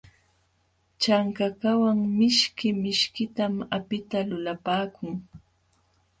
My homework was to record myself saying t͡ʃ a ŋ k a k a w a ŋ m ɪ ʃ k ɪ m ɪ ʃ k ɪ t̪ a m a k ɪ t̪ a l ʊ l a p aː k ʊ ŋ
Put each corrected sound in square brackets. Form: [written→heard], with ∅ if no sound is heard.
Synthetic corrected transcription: t͡ʃ a ŋ k a k a w a ŋ m ɪ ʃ k ɪ m ɪ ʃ k ɪ t̪ a m a [k→p] ɪ t̪ a l ʊ l a p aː k ʊ ŋ

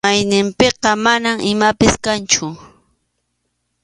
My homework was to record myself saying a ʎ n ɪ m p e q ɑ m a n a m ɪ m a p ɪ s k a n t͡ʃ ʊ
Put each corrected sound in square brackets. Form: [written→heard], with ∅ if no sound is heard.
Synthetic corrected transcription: a [ʎ→j] n ɪ m p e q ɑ m a n a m ɪ m a p ɪ s k a n t͡ʃ ʊ

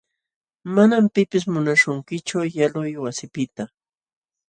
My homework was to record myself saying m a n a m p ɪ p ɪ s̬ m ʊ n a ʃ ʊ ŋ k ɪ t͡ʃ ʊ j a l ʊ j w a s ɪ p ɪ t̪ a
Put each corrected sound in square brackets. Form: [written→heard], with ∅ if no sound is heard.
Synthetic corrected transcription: m a n a m p ɪ p ɪ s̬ m ʊ n a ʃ ʊ ŋ k ɪ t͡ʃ ʊ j a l ʊ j w a s ɪ p ɪ t̪ a

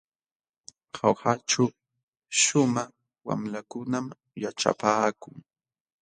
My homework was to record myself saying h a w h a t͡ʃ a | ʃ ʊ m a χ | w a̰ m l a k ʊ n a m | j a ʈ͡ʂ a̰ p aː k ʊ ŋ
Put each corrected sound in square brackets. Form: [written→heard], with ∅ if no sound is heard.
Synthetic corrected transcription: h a w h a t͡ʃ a | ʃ ʊ m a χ | w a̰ m l a k ʊ n a m | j a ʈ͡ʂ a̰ p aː k ʊ ŋ

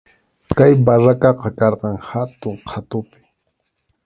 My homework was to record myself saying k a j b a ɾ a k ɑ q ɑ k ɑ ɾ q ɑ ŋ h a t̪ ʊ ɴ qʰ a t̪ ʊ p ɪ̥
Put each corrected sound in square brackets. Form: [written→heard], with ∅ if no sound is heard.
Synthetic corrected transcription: k a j b a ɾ a k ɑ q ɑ k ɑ ɾ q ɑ ŋ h a t̪ ʊ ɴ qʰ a t̪ ʊ p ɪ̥

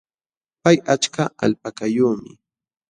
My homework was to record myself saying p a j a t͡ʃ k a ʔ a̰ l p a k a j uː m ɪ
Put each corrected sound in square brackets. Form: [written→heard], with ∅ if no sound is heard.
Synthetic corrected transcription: p a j a t͡ʃ k a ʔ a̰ l p a k a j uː m ɪ

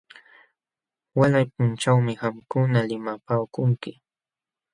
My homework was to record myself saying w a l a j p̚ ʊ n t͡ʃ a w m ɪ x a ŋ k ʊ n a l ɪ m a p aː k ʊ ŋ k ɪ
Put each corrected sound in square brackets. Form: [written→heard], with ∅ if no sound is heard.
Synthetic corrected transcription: w a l a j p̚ ʊ n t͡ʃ a w m ɪ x a [ŋ→m] k ʊ n a l ɪ m a p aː k ʊ ŋ k ɪ

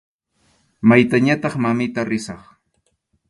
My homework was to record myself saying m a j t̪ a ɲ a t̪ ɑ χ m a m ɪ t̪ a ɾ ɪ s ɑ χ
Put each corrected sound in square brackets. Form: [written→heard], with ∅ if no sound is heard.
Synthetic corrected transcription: m a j t̪ a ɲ a t̪ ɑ χ m a m ɪ t̪ a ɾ ɪ s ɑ χ

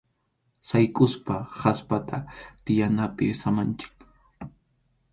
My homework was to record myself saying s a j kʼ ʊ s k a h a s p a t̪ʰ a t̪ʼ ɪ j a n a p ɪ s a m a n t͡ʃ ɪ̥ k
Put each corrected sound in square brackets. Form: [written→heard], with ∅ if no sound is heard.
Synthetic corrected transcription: s a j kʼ ʊ s [k→p] a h a s p a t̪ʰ a [t̪ʼ→t̪] ɪ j a n a p ɪ s a m a n t͡ʃ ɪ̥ k

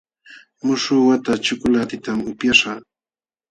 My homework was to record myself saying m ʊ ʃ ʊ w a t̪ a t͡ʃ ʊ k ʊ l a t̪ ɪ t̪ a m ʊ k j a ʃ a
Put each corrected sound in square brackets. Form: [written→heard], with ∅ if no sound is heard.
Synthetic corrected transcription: m ʊ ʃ ʊ w a t̪ a t͡ʃ ʊ k ʊ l a t̪ ɪ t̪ a m ʊ [k→p] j a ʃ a

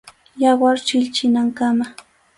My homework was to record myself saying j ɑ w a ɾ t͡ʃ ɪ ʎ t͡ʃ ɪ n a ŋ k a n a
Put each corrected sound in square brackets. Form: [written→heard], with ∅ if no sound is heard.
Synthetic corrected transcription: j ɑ w a ɾ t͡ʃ ɪ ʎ t͡ʃ ɪ n a ŋ k a [n→m] a

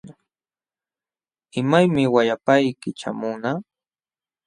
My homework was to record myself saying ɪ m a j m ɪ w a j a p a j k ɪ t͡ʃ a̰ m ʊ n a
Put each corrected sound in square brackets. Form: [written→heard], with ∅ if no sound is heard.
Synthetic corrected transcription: ɪ m a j m ɪ w a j a p a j k ɪ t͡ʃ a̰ m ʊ n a

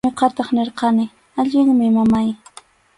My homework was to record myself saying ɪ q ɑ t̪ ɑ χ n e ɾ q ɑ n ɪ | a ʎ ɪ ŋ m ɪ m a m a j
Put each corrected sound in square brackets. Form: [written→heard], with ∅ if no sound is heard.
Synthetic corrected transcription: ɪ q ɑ t̪ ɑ χ n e ɾ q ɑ n ɪ | a ʎ ɪ ŋ m ɪ m a m a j

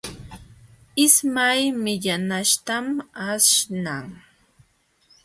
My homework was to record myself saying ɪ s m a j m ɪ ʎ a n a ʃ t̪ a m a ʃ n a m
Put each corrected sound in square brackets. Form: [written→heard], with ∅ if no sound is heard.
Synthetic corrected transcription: ɪ s m a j m ɪ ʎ a n a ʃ t̪ a m a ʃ n a [m→ŋ]

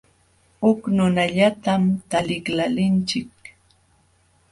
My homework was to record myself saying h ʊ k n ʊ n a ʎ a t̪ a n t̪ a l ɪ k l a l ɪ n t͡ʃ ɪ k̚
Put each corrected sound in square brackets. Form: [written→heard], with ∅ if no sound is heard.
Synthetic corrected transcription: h ʊ k n ʊ n a ʎ a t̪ a [n→m] t̪ a l ɪ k l a l ɪ n t͡ʃ ɪ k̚

